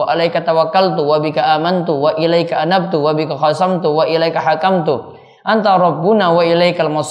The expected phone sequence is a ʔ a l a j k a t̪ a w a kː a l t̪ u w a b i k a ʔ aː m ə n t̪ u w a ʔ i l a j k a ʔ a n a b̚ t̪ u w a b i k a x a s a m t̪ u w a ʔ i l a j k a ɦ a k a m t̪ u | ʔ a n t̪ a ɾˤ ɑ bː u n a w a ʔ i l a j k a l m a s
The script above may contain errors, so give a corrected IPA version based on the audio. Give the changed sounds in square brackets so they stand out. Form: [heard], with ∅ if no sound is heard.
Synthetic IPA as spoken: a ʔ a l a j k a t̪ a w a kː a l t̪ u w a b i k a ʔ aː m [a] n t̪ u w a ʔ i l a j k a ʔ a n a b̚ t̪ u w a b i k a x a s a m t̪ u w a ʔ i l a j k a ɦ a k a m t̪ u | ʔ a n t̪ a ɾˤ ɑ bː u n a w a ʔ i l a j k a l m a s